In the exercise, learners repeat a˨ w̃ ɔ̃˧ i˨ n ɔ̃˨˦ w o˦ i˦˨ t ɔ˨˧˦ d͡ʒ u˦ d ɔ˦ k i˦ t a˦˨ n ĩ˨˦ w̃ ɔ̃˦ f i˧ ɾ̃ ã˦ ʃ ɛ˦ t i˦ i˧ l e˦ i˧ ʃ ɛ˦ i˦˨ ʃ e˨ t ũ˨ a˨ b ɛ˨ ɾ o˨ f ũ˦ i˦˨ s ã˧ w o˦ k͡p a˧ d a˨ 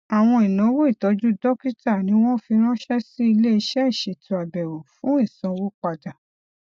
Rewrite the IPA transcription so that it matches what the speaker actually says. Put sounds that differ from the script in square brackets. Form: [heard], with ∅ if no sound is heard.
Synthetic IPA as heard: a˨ w̃ ɔ̃˧ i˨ n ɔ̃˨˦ w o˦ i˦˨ t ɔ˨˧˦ d͡ʒ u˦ d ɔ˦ k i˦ t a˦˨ n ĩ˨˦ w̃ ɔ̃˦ f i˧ ɾ̃ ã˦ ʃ ɛ˦ [s] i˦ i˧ l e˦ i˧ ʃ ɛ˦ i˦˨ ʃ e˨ t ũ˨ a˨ b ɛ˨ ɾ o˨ f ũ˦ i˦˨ s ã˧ w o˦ k͡p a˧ d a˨